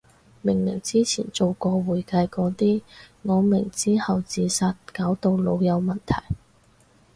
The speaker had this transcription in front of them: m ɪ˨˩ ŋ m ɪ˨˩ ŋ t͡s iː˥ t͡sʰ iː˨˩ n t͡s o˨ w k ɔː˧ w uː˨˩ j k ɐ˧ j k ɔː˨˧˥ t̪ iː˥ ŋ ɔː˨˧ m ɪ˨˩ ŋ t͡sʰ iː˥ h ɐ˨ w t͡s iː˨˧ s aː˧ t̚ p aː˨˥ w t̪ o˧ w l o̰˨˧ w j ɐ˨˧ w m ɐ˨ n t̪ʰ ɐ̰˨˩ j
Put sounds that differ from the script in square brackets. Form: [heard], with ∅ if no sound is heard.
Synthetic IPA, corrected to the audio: m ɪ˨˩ ŋ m ɪ˨˩ ŋ t͡s iː˥ t͡sʰ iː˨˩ n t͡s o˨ w k ɔː˧ w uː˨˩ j k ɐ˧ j k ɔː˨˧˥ t̪ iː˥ ŋ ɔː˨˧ m ɪ˨˩ ŋ [t͡s] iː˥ h ɐ˨ w t͡s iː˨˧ s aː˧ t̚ [k] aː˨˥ w t̪ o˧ w l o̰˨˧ w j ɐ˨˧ w m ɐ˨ n t̪ʰ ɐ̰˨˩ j